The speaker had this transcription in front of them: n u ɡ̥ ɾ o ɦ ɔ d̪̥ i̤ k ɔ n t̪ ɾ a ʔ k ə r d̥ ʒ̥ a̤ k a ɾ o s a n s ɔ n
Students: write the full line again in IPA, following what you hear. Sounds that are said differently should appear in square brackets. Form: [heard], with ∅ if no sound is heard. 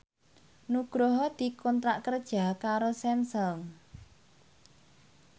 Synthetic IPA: n u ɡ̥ ɾ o ɦ ɔ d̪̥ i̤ k ɔ n t̪ ɾ a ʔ k ə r d̥ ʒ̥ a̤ k a ɾ o s [ɛ] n s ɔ [ŋ]